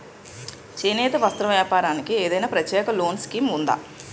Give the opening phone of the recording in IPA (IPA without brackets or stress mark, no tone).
t͡ʃ